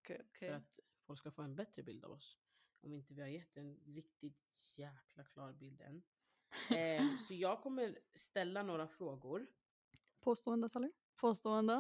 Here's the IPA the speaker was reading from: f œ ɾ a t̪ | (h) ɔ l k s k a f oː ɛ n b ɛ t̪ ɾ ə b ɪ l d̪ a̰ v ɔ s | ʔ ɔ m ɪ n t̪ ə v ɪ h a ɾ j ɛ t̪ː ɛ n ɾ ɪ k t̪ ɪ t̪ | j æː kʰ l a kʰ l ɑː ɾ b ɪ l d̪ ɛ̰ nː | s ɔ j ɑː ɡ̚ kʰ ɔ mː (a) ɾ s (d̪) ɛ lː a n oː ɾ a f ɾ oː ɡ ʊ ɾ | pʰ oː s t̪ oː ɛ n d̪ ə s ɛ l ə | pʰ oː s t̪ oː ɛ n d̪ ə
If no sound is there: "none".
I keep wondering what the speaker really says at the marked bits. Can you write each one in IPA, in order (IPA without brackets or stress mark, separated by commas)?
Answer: f, ə, t̪